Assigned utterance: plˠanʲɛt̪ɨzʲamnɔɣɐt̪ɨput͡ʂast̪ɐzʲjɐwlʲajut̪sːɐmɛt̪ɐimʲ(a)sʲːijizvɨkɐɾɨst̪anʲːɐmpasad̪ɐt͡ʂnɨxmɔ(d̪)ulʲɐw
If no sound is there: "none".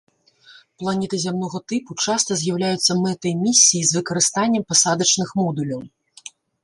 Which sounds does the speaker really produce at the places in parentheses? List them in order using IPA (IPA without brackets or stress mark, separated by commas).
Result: i, d̪